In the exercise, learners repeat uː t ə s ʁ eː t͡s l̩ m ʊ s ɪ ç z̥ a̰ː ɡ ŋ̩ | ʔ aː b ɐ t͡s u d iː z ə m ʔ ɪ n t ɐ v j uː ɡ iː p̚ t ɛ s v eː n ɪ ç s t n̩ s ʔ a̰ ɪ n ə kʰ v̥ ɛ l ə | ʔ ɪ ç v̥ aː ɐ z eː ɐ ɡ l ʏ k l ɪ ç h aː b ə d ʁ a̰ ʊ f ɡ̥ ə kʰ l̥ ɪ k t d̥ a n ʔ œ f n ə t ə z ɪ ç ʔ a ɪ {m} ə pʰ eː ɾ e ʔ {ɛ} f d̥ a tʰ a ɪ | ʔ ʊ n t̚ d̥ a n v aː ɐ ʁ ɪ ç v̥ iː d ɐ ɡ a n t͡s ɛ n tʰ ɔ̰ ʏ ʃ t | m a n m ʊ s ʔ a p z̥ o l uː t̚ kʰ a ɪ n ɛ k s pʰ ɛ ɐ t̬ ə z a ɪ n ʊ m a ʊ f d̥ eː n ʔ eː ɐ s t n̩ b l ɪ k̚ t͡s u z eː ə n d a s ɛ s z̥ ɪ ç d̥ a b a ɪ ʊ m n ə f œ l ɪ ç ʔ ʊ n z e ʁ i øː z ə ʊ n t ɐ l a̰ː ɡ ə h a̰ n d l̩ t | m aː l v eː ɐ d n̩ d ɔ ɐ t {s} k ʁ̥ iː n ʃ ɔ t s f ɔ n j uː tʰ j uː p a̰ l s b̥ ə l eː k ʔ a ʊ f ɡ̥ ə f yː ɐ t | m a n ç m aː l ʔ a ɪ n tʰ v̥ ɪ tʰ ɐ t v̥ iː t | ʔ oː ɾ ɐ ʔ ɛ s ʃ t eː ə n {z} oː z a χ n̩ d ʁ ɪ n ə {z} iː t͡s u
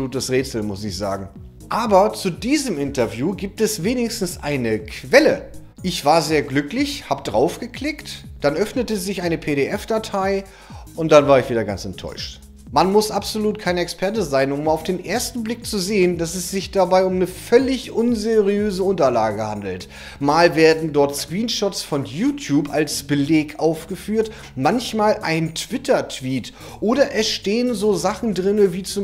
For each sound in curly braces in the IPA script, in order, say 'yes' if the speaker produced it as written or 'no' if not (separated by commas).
no, yes, yes, yes, no